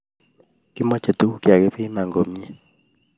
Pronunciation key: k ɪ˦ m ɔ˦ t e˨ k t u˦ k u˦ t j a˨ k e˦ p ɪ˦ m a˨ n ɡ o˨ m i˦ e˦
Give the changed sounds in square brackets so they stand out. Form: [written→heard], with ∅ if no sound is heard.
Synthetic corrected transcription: k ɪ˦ m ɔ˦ [t→t͡ʃ] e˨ [k→∅] t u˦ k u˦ [t→k] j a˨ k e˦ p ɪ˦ m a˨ [n→ŋ] ɡ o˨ m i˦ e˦